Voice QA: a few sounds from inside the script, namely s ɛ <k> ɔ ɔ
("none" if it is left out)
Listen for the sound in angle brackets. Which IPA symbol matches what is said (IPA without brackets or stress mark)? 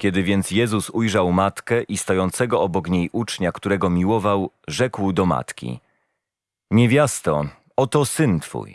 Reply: ɡ